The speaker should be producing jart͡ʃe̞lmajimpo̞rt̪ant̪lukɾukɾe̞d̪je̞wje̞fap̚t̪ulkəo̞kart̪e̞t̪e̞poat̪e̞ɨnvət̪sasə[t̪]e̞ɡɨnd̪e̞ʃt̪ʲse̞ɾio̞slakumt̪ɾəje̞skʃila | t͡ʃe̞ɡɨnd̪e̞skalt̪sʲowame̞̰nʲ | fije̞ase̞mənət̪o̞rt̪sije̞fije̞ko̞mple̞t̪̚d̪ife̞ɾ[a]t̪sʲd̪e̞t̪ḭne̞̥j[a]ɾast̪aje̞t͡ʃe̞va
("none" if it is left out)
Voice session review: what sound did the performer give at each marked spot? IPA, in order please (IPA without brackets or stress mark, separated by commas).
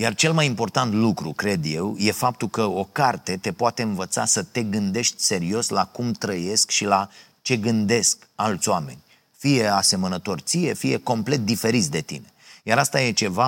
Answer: t̪, i, a